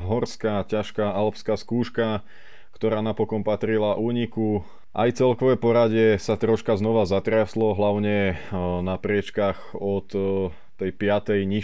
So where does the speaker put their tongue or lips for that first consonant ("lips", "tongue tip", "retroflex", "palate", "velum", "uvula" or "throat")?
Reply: throat